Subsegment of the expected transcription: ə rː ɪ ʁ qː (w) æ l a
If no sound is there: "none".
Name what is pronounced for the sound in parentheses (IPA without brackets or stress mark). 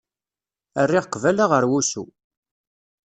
v